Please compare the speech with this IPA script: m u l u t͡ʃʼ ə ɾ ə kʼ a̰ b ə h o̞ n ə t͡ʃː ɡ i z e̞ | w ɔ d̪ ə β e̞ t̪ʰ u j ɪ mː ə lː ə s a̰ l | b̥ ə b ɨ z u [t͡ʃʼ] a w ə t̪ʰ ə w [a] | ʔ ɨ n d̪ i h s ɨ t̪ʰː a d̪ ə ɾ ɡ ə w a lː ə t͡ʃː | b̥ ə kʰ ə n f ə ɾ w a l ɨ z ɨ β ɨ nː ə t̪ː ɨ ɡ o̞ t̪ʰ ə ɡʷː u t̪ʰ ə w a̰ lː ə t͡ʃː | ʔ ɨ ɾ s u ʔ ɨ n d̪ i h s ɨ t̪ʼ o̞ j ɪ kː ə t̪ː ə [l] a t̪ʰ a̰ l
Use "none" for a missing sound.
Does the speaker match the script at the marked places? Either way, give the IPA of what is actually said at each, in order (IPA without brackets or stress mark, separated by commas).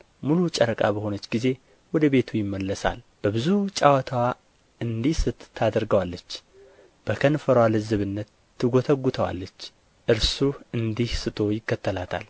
t͡ʃʼ, a, l